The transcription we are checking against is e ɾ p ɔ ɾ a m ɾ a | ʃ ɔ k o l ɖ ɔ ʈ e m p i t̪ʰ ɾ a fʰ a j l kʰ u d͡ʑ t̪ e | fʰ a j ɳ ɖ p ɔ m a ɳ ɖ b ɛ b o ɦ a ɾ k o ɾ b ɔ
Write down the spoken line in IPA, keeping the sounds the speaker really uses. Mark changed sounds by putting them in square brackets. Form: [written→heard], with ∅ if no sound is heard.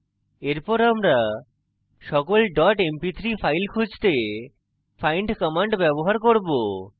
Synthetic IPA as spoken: e ɾ p ɔ ɾ a m ɾ a | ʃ ɔ k o l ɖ ɔ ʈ e m p i t̪ʰ ɾ [a→i] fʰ a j l kʰ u d͡ʑ t̪ e | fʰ a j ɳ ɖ [p→k] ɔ m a ɳ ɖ b ɛ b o ɦ a ɾ k o ɾ b [ɔ→o]